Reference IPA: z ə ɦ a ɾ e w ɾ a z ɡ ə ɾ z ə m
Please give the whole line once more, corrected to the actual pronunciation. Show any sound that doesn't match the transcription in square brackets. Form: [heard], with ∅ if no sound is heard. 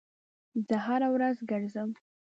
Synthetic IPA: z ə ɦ a ɾ [a] w ɾ a z ɡ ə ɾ z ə m